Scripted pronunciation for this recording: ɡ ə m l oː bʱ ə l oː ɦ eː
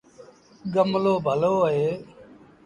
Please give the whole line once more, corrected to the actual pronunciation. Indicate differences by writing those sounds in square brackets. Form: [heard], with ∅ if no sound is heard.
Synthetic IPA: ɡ ə m l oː bʱ ə l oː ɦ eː